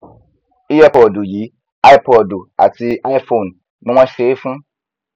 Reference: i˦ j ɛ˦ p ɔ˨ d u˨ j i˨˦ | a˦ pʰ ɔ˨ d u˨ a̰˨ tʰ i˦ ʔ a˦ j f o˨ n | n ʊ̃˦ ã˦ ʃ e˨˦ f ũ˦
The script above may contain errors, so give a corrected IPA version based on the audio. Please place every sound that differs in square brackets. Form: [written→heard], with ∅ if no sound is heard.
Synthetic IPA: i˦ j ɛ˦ p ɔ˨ d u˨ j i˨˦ | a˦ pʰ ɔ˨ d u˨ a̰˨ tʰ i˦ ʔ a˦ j f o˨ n | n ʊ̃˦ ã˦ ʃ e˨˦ f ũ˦